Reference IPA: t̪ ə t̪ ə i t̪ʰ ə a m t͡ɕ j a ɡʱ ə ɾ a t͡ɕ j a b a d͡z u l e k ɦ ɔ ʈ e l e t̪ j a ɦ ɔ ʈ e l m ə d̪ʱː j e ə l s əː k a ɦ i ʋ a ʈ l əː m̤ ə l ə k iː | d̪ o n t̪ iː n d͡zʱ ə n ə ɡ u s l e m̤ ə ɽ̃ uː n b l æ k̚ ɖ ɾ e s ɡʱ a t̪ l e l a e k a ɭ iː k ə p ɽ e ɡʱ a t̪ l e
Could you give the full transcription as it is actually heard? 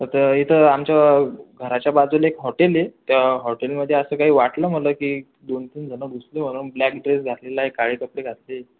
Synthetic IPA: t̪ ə t̪ ə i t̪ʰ ə a m t͡ɕ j a ɡʱ ə ɾ a t͡ɕ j a b a d͡z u l e k ɦ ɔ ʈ e l e t̪ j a ɦ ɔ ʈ e l m ə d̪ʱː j e ə s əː k a ɦ iː ʋ a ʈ l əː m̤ ə l ə k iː | d̪ o n t̪ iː n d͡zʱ ə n ə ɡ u s l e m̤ ə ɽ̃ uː n b l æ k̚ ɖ ɾ e s ɡʱ a t̪ l e l a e k a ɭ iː k ə p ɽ e ɡʱ a t̪ l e

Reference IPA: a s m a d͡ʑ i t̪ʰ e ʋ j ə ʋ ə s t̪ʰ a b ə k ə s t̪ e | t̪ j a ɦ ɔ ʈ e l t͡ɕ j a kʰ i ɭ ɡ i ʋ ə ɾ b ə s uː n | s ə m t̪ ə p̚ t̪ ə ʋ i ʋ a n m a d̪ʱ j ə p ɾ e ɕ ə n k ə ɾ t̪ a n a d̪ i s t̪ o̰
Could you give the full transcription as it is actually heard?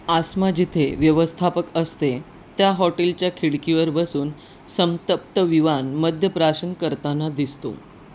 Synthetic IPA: a s m a d͡ʑ i t̪ʰ e ʋ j ə ʋ ə s t̪ʰ a p ə k ə s t̪ e | t̪ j a ɦ ɔ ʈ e l t͡ɕ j a kʰ i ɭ k i ʋ ə ɾ b ə s uː n | s ə m t̪ ə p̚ t̪ ə ʋ i ʋ a n m ə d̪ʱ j ə p ɾ a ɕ ə n k ə ɾ t̪ a n a d̪ i s t̪ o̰

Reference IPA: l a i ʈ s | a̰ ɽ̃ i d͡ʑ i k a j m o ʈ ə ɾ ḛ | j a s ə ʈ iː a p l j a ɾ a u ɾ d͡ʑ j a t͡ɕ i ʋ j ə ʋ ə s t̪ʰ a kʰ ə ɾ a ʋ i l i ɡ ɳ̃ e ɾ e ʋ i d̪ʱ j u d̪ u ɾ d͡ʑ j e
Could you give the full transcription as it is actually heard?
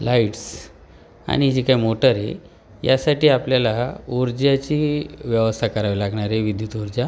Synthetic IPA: l a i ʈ s | a̰ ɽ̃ i d͡ʑ i k a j m o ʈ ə ɾ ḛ | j a s a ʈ iː a p l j a l a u ɾ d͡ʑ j a t͡ɕ i ʋ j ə ʋ ə s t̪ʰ a k ə ɾ a ʋ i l a ɡ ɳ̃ a ɾ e ʋ i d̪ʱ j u t̪ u ɾ d͡ʑ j a

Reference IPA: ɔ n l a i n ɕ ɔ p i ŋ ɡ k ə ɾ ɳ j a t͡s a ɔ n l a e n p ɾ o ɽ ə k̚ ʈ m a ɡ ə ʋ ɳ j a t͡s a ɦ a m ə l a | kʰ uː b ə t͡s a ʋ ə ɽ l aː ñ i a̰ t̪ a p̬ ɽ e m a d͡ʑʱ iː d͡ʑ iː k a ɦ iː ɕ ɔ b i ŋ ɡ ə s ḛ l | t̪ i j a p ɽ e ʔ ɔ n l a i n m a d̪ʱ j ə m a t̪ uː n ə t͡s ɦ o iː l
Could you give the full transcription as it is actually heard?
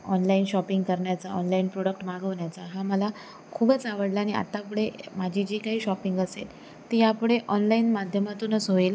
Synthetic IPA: ɔ n l a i n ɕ ɔ p i ŋ ɡ k ə ɾ ɳ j a t͡s a ɔ n l a i n p ɾ o ɽ ə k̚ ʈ m a ɡ ə ʋ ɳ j a t͡s a ɦ a m ə l a | kʰ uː b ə t͡s a ʋ ə ɽ l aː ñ i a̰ t̪ a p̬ ɽ e m a d͡ʑʱ i d͡ʑ iː k a ɦ iː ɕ ɔ p i ŋ ɡ ə s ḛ l | t̪ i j a p ɽ e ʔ ɔ n l a i n m a d̪ʱ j ə m a t̪ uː n ə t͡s ɦ o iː l

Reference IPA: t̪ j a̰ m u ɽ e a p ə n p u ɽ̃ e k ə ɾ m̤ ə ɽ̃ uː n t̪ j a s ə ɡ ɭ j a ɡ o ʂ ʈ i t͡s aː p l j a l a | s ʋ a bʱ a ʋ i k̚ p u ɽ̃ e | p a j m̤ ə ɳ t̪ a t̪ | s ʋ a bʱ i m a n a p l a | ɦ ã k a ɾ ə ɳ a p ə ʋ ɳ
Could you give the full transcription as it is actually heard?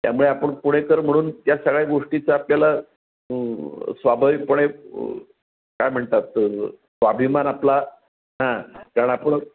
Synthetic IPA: t̪ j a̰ m u ɭ e a p ə ɳ p u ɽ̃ e k ə ɾ m̤ ə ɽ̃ uː n t̪ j a s ə ɡ ɭ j a ɡ o ʂ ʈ i t͡s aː p l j a l a | s ʋ a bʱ a ʋ i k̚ p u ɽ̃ e | k a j m̤ ə ɳ t̪ a t̪ | s ʋ a bʱ i m a n a p l a | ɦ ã k a ɾ ə ɳ a p ə ɳ

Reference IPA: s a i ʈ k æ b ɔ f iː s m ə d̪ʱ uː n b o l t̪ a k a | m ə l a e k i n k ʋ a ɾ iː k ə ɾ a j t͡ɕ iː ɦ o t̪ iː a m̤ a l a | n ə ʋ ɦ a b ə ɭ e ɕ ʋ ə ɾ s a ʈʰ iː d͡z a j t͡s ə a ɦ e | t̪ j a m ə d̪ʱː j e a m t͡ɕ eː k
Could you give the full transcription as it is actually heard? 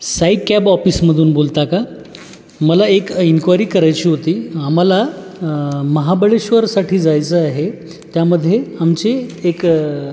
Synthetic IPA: s a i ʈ k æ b ɔ f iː s m ə d̪ʱ uː n b o l t̪ a k a | m ə l a e k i n k ʋ a ɾ iː k ə ɾ a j t͡ɕ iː ɦ o t̪ iː a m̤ a l a | m ə ɦ a b ə ɭ e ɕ ʋ ə ɾ s a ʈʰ iː d͡z a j t͡s ə a ɦ e | t̪ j a m ə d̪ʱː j e a m t͡ɕ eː k

